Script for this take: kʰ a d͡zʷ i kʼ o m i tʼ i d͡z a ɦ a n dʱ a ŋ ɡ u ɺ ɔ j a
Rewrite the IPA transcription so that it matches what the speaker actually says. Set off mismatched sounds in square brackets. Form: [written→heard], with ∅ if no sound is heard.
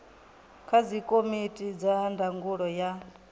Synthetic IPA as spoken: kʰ a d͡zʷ i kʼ o m i tʼ i d͡z a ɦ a n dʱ a ŋ ɡ u ɺ ɔ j a